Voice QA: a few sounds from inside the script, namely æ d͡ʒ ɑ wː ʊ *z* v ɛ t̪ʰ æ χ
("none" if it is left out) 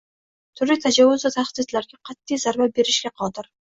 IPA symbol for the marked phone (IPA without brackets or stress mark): z